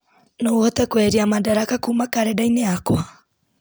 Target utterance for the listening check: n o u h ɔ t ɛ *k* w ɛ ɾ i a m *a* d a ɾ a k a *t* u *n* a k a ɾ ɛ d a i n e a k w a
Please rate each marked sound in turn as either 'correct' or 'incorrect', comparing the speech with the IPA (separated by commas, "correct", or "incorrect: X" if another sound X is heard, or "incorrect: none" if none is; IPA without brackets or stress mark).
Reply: correct, correct, incorrect: k, incorrect: m